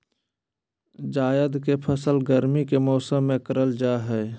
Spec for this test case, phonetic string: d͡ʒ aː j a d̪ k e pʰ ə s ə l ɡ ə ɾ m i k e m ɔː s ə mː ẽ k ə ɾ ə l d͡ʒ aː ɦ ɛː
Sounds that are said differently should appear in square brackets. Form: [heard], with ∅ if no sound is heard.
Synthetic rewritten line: d͡ʒ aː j [ə] d̪ k e pʰ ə s ə l ɡ ə ɾ m i k e m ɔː s ə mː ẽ k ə ɾ ə l d͡ʒ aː ɦ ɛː